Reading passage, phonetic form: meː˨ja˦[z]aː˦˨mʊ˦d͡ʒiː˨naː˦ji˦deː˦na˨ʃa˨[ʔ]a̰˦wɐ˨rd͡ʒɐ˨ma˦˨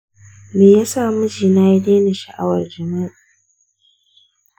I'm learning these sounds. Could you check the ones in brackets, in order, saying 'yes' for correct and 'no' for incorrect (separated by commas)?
no, yes